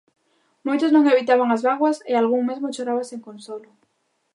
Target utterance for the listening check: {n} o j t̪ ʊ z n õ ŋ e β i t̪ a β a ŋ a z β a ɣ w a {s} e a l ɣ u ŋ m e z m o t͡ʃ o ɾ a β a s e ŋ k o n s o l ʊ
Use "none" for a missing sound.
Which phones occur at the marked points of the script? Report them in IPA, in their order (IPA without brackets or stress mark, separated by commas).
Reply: m, s